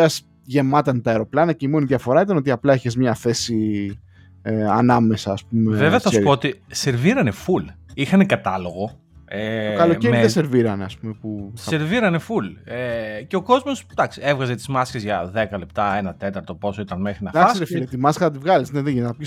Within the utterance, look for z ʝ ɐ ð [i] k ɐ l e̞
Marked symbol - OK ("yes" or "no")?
no